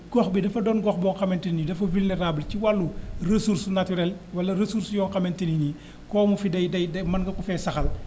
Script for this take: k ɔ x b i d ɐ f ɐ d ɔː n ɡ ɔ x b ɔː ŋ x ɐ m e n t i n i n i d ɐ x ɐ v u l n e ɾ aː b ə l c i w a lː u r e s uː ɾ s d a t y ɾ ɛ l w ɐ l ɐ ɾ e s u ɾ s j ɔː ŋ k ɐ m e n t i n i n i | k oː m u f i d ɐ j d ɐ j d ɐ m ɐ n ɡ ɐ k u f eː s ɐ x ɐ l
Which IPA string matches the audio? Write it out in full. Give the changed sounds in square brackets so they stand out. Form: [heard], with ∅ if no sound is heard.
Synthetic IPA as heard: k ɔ x b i d ɐ f ɐ d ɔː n ɡ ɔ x b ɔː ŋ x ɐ m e n t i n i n i d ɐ [f] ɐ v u l n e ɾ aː b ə l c i w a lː u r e s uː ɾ s [n] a t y ɾ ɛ l w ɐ l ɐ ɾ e s u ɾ s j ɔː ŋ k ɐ m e n t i n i n i | k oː m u f i d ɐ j d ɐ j d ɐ m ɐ n ɡ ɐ k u f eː s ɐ x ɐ l